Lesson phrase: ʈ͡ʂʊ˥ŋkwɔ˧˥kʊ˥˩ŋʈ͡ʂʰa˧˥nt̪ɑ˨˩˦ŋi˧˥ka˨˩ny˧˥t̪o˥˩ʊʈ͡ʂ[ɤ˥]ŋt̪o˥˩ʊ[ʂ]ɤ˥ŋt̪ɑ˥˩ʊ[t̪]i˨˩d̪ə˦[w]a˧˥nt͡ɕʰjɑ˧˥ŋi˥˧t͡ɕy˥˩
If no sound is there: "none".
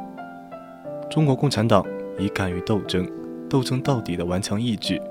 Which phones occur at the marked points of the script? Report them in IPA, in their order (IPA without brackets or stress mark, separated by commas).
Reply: ɤ˥, ʈ͡ʂ, t̪, w